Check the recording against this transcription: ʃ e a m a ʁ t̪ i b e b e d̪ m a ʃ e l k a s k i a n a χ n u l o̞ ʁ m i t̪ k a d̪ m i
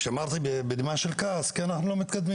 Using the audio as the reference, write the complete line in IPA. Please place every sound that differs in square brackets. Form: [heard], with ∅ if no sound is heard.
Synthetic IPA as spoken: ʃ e a m a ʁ t̪ i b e b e d̪ m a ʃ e l k a s k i a n a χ n u l o̞ [∅] m i t̪ k a d̪ m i